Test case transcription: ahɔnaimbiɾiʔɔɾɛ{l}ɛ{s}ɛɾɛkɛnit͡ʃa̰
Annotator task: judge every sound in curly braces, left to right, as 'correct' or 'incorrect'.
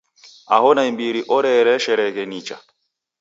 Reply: incorrect: ɾ, incorrect: ʃ

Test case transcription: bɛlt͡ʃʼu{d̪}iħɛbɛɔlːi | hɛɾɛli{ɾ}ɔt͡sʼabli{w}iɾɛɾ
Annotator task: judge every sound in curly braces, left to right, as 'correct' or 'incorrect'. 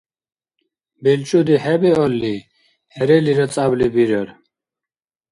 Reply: correct, correct, incorrect: b

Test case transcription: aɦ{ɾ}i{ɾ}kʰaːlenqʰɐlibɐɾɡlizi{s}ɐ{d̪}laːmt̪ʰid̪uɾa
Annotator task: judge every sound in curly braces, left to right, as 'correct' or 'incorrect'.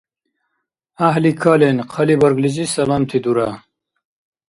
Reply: incorrect: l, incorrect: none, correct, incorrect: none

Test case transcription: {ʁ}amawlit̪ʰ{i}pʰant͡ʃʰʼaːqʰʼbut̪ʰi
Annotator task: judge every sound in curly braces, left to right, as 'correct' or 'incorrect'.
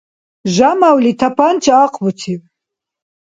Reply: incorrect: ʒ, incorrect: a

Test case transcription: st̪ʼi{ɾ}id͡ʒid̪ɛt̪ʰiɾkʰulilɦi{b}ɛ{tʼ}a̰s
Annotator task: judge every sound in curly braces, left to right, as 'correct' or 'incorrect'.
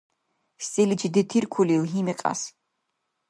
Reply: incorrect: l, incorrect: m, incorrect: qʼ

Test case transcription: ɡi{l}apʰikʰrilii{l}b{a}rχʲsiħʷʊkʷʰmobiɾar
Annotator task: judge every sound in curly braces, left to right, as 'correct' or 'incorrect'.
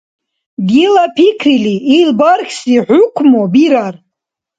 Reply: correct, correct, correct

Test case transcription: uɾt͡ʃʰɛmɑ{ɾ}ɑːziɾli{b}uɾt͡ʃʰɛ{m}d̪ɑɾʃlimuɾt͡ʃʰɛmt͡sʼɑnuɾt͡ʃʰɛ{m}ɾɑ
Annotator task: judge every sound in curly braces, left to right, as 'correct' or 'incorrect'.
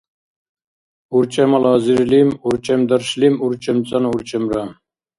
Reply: incorrect: l, incorrect: m, correct, correct

